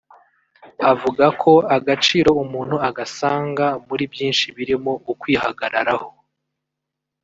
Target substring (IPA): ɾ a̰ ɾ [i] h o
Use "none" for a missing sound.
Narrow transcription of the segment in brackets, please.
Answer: a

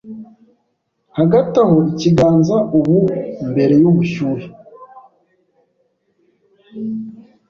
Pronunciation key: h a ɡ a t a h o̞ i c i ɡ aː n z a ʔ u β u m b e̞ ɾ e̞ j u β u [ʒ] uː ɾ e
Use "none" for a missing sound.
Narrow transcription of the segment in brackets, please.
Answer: ʃ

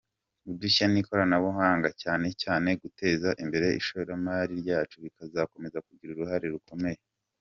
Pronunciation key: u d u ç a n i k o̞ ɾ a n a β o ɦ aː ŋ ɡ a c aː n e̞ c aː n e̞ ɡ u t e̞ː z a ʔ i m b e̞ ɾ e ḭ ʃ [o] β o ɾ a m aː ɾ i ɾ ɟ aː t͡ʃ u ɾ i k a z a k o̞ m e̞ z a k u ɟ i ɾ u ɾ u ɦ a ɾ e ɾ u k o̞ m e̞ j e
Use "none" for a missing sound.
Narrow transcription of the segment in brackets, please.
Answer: o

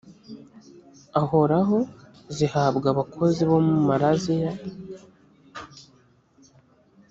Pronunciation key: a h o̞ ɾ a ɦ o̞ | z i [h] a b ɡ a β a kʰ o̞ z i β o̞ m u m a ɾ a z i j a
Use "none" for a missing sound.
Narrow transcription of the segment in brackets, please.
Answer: h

